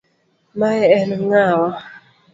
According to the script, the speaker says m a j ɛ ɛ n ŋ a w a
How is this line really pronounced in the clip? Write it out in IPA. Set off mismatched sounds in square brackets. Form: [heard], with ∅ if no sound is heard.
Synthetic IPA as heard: m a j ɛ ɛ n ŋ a w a